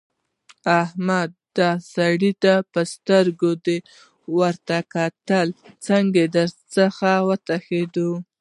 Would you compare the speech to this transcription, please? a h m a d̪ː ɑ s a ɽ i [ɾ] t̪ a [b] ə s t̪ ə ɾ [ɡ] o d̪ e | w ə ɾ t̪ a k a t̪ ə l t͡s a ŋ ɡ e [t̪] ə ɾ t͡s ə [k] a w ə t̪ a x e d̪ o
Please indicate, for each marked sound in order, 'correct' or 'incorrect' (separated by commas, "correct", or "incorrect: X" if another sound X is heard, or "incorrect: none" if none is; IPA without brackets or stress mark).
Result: incorrect: none, incorrect: p, correct, incorrect: d̪, incorrect: x